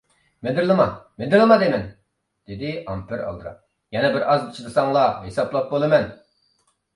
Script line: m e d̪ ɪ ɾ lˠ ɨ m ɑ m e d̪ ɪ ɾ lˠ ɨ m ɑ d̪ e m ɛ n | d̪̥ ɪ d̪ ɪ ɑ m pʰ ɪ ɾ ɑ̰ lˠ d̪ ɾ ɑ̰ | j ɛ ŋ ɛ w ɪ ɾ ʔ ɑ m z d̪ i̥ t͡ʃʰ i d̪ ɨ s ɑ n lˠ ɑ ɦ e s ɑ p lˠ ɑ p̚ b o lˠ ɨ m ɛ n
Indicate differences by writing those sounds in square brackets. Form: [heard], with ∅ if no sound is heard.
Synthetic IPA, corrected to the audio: m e d̪ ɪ ɾ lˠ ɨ m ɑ m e d̪ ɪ ɾ lˠ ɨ m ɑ d̪ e m ɛ n | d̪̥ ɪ d̪ ɪ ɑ m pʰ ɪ ɾ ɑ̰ lˠ d̪ ɾ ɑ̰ | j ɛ [n] ɛ [b] ɪ ɾ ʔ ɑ [∅] z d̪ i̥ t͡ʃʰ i d̪ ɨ s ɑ [ŋ] lˠ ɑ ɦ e s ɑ p lˠ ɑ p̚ b o lˠ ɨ m ɛ n

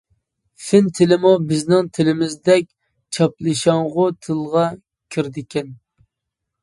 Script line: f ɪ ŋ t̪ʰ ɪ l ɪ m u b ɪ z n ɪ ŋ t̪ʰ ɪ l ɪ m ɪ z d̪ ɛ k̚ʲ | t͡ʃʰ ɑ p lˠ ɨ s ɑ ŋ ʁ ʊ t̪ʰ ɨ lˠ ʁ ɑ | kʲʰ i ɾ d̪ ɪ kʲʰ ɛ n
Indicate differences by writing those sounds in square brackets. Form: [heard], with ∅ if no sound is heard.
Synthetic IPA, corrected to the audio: f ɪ [n] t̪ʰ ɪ l ɪ m u b ɪ z n ɪ ŋ t̪ʰ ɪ l ɪ m ɪ z d̪ ɛ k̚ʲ | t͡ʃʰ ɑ p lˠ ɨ [ʃ] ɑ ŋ ʁ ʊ t̪ʰ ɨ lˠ ʁ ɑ | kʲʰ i ɾ d̪ ɪ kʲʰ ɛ n

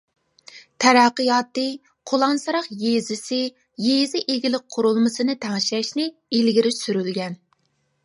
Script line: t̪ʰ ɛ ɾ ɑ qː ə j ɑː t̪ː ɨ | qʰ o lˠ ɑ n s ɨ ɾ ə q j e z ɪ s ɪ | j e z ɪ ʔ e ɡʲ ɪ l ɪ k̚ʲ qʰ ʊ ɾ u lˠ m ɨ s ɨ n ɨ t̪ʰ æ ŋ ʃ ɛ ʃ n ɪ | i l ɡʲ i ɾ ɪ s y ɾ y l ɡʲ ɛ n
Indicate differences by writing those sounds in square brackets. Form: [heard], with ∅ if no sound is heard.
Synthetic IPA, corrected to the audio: t̪ʰ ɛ ɾ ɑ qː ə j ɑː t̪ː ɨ | qʰ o lˠ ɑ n s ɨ ɾ [ɑ] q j e z ɪ s ɪ | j e z ɪ ʔ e ɡʲ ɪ l ɪ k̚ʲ qʰ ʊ ɾ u lˠ m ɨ s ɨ n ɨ t̪ʰ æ ŋ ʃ ɛ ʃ n ɪ | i l ɡʲ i ɾ ɪ s y ɾ y l ɡʲ ɛ n

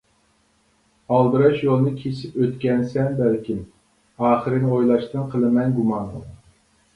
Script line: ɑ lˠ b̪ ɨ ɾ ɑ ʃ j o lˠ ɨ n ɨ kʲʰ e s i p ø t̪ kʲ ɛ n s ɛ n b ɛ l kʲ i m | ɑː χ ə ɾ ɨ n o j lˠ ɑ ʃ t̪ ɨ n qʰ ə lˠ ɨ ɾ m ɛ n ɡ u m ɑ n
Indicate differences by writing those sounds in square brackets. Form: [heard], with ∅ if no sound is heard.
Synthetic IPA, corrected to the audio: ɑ lˠ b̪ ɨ ɾ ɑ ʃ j o lˠ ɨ n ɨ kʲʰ e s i p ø t̪ kʲ ɛ n s ɛ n b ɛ l kʲ i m | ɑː χ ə ɾ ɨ n o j lˠ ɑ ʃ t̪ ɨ n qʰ ə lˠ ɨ [∅] m ɛ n ɡ u m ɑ n

